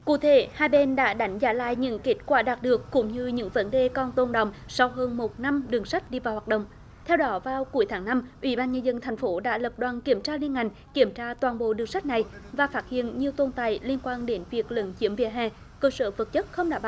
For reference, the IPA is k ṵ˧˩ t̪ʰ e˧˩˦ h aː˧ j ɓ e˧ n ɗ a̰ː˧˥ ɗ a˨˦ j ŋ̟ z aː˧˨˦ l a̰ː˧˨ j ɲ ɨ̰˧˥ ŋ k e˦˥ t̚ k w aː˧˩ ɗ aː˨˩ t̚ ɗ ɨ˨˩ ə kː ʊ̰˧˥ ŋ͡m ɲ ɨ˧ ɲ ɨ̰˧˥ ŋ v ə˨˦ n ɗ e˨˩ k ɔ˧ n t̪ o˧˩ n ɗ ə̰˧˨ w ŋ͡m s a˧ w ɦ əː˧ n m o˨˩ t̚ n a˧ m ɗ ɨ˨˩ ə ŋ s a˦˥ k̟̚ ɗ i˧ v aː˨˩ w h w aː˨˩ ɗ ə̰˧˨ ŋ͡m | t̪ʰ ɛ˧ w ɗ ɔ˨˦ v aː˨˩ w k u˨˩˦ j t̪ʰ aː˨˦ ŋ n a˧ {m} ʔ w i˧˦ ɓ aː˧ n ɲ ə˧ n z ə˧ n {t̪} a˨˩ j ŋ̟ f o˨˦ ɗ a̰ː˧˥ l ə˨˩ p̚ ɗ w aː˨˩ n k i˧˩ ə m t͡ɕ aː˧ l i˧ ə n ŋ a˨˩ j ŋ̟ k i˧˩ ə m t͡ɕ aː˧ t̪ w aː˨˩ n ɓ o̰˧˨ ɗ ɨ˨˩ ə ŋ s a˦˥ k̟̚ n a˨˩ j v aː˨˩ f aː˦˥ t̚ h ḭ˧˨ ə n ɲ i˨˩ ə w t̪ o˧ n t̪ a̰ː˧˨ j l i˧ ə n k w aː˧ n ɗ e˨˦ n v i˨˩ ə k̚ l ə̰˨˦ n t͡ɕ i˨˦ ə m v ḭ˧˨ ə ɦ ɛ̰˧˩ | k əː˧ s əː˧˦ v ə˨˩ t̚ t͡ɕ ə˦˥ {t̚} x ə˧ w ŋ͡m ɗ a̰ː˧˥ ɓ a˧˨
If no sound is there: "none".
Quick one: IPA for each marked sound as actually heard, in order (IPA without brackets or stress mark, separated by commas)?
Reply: m, t̪ʰ, t̚